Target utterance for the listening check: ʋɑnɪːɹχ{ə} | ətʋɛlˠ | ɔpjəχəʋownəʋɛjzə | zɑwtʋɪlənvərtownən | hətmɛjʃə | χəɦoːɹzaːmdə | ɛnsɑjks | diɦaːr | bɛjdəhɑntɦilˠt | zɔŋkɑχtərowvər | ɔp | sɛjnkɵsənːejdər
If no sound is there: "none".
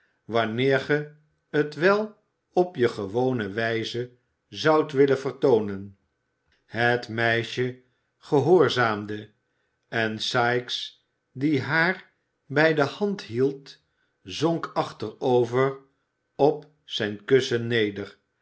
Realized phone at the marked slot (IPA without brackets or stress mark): ə